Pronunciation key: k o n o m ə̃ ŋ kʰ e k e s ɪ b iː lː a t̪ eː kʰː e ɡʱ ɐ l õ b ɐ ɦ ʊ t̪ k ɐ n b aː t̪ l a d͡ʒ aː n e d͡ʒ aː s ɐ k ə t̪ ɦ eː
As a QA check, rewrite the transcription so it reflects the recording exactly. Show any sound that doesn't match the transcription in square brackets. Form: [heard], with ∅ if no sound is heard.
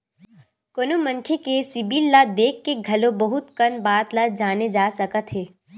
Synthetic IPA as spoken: k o n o m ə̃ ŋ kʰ e k e s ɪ b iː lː a [d̪] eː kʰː e ɡʱ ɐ l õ b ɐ ɦ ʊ t̪ k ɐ n b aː t̪ l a d͡ʒ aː n e d͡ʒ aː s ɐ k ə t̪ ɦ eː